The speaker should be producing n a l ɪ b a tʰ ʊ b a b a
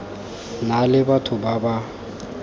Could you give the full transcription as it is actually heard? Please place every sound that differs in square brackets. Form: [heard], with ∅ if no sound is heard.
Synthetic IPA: n a l ɪ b a tʰ ʊ b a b a